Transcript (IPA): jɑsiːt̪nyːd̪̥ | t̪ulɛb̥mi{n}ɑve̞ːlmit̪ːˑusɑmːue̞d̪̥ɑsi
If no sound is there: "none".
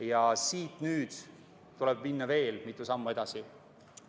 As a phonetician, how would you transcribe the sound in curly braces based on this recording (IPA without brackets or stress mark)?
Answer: nː